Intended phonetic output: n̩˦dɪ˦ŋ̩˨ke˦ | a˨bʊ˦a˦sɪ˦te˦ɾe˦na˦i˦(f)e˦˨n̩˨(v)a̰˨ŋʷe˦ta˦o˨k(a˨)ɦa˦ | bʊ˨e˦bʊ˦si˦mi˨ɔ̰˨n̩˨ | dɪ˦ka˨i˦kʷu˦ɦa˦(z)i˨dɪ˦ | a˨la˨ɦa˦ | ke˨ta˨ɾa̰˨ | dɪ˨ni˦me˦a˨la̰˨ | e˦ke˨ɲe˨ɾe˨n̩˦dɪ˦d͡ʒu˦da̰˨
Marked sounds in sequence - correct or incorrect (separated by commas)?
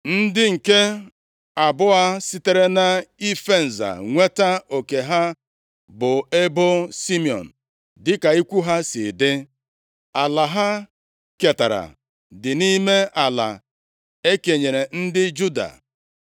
correct, incorrect, incorrect, incorrect